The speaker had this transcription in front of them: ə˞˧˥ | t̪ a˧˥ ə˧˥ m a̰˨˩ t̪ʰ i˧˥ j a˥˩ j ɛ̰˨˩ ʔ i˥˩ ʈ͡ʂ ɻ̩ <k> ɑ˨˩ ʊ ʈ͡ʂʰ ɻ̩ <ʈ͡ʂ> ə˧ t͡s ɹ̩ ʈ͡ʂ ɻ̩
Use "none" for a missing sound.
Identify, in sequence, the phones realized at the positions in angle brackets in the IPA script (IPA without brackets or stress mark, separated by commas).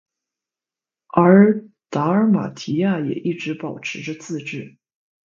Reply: p, ʈ͡ʂ